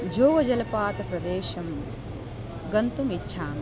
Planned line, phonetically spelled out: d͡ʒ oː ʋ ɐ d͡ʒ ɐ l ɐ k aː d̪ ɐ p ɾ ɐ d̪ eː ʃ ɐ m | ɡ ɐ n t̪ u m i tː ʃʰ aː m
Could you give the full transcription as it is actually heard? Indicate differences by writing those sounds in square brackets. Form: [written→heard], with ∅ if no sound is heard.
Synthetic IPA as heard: d͡ʒ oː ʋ ɐ d͡ʒ ɐ l ɐ [k→p] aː [d̪→t̪] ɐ p ɾ ɐ d̪ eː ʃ ɐ m | ɡ ɐ n t̪ u m i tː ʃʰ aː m